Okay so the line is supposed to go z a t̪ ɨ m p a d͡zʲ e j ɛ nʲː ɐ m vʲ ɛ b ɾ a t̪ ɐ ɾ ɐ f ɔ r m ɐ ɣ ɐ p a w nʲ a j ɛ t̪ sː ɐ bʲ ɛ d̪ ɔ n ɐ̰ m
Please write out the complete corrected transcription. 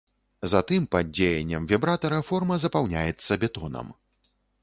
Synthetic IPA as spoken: z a t̪ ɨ m p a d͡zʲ e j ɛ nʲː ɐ m vʲ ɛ b ɾ a t̪ ɐ ɾ ɐ f ɔ r m ɐ z ɐ p a w nʲ a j ɛ t̪ sː ɐ bʲ ɛ t̪ ɔ n ɐ̰ m